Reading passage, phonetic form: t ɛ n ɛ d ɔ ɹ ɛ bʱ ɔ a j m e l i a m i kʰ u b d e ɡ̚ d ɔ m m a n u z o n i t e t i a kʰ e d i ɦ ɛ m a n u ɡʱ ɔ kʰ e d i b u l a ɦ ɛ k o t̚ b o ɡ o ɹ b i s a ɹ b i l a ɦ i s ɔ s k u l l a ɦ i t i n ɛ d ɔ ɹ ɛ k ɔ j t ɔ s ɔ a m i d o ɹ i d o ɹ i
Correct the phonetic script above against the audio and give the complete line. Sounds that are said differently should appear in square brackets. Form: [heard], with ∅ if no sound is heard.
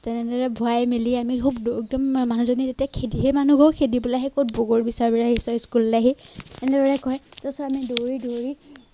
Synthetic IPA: t ɛ n ɛ d ɔ ɹ ɛ bʱ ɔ a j m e l i a m i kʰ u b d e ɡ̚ d ɔ m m a n u z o n i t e t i a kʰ e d i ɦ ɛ m a n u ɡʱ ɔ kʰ e d i b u l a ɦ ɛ k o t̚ b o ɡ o ɹ b i s a ɹ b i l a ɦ i s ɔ s k u l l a ɦ i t [ɛ] n ɛ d ɔ ɹ ɛ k ɔ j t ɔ s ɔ a m i d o ɹ i d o ɹ i

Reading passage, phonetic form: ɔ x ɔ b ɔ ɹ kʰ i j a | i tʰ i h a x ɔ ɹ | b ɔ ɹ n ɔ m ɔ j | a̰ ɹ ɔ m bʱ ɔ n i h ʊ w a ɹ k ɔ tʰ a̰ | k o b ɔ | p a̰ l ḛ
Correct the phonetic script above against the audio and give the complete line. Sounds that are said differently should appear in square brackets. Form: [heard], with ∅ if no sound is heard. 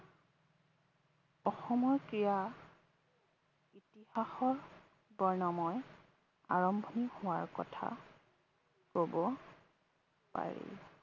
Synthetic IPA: ɔ x ɔ [m] ɔ ɹ [k] i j a | i [t] i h a x ɔ ɹ | b ɔ ɹ n ɔ m ɔ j | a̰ ɹ ɔ m bʱ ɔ n i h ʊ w a ɹ k ɔ tʰ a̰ | k o b ɔ | p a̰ [ɹ] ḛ

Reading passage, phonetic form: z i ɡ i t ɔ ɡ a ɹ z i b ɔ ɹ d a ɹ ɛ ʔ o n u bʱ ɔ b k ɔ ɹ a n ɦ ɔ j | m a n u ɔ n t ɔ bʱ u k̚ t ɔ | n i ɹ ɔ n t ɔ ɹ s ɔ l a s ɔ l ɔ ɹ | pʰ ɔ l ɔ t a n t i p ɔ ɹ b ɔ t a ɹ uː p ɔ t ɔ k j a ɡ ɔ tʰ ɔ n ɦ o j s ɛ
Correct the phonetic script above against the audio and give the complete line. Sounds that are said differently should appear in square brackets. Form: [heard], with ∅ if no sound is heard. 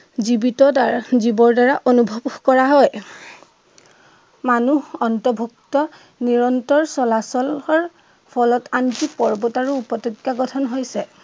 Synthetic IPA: z i [b] i t ɔ [d] a ɹ z i b ɔ ɹ d a ɹ [a] ʔ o n u bʱ ɔ b k ɔ ɹ a [∅] ɦ ɔ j | m a n u ɔ n t ɔ bʱ u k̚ t ɔ | n i ɹ ɔ n t ɔ ɹ s ɔ l a s ɔ l ɔ ɹ | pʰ ɔ l ɔ t a n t i p ɔ ɹ b ɔ t a ɹ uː p ɔ t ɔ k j a ɡ ɔ tʰ ɔ n ɦ o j s ɛ

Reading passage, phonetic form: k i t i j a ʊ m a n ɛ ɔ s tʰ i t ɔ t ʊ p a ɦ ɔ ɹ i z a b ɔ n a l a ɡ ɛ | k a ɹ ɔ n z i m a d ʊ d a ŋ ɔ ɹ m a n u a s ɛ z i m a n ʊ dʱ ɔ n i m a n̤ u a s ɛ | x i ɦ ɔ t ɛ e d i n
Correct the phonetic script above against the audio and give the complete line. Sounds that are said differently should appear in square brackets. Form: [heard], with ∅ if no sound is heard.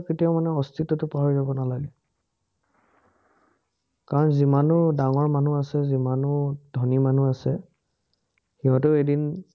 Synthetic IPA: k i t i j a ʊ m a n ɛ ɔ s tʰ i t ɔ t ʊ p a ɦ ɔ ɹ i z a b ɔ n a l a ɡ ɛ | k a ɹ ɔ n z i m a [n] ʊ d a ŋ ɔ ɹ m a n u a s ɛ z i m a n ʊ dʱ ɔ n i m a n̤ u a s ɛ | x i ɦ ɔ t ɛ e d i n

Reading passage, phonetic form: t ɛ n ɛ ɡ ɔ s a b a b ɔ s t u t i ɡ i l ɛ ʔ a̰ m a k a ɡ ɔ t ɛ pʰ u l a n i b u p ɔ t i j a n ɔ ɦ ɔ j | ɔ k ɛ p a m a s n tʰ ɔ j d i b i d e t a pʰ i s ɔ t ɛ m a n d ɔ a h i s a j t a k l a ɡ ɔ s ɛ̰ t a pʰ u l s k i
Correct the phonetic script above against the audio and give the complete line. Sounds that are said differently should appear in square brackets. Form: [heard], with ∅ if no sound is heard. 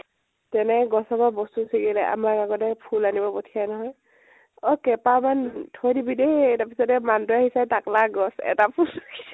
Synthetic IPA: t ɛ n ɛ ɡ ɔ s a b a b ɔ s t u [s] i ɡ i l ɛ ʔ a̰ m a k a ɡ ɔ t ɛ pʰ u l a n i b [ɔ] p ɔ [tʰ] i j a n ɔ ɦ ɔ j | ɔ k ɛ p a m a [∅] n tʰ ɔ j d i b i d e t a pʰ i s ɔ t ɛ m a n d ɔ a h i s a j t a k l a ɡ ɔ s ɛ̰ t a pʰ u l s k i

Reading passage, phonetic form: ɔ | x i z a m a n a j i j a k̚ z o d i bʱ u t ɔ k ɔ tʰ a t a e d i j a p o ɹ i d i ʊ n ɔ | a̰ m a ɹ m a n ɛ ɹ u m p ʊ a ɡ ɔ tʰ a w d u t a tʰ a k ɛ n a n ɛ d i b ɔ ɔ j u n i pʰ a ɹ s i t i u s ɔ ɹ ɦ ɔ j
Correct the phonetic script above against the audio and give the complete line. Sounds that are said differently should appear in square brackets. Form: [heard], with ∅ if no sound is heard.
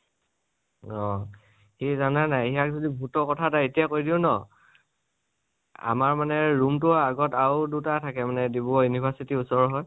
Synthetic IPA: ɔ | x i z a [n] a n a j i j a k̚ z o d i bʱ u t ɔ k ɔ tʰ a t a e [t] i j a [k] o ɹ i d i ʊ n ɔ | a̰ m a ɹ m a n ɛ ɹ u m [t] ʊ a ɡ ɔ [t] a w d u t a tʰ a k ɛ [m] a n ɛ d i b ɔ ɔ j u n i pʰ a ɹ s i t i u s ɔ ɹ ɦ ɔ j

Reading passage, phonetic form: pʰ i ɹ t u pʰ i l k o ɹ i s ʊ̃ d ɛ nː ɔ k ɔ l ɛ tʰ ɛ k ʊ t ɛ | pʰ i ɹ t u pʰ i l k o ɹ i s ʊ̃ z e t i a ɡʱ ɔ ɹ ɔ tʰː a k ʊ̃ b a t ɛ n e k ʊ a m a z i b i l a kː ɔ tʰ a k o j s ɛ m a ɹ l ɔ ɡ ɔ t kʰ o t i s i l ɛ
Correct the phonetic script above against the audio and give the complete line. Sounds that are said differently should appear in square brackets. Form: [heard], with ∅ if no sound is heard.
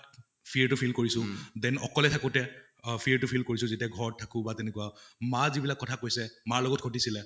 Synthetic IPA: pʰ i ɹ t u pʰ i l k o ɹ i s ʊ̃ d ɛ [n] ɔ k ɔ l ɛ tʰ [a] k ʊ t ɛ | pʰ i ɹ t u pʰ i l k o ɹ i s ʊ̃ z e t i a ɡʱ ɔ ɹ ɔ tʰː a k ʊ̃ b a t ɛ n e k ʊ a m a z i b i l a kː ɔ tʰ a k o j s ɛ m a ɹ l ɔ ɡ ɔ t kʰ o t i s i l ɛ

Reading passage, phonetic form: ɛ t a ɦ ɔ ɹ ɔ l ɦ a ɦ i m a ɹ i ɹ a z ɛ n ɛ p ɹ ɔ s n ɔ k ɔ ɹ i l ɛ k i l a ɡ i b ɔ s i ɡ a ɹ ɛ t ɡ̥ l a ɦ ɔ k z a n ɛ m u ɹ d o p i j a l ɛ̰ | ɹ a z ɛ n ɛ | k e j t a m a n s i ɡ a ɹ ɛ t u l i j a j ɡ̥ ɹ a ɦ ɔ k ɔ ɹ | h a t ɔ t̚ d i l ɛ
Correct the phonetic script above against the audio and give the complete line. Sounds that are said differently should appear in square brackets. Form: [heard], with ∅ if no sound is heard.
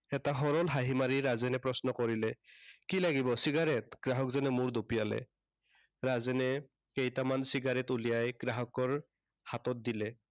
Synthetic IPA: ɛ t a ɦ ɔ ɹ ɔ l ɦ a ɦ i m a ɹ i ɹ a z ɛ n ɛ p ɹ ɔ s n ɔ k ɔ ɹ i l ɛ k i l a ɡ i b ɔ s i ɡ a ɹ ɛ t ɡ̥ [ɹ] a ɦ ɔ k z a n ɛ m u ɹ d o p i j a l ɛ̰ | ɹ a z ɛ n ɛ | k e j t a m a n s i ɡ a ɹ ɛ t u l i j a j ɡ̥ ɹ a ɦ ɔ k ɔ ɹ | h a t ɔ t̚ d i l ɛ

